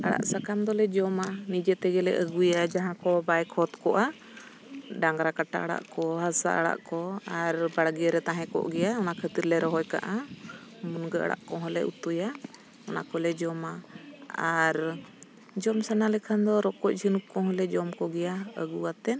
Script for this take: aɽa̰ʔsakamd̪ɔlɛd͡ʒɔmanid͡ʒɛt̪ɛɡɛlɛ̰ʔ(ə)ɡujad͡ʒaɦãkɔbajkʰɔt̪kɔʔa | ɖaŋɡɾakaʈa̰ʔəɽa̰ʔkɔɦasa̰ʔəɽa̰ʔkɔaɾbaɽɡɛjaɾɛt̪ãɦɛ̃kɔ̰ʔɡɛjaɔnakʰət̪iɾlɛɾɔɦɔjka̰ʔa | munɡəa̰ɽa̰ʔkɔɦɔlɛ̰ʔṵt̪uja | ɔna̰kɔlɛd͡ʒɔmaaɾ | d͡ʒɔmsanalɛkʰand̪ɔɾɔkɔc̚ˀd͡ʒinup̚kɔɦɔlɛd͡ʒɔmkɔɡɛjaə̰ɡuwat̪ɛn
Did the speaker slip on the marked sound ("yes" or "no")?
no